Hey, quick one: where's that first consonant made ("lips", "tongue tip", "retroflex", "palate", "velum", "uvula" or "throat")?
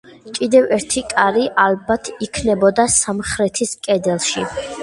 velum